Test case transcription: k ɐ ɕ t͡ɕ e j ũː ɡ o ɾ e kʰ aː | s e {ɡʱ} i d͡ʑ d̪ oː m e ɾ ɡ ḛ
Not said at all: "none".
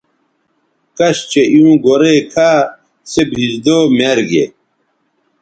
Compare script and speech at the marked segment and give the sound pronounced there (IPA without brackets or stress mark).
bʱ